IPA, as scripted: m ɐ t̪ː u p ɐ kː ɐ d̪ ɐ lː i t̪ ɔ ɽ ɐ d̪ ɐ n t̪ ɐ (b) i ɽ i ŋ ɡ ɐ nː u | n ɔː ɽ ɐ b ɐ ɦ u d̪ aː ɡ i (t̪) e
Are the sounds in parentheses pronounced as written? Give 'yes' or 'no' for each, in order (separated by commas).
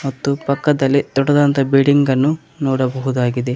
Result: yes, no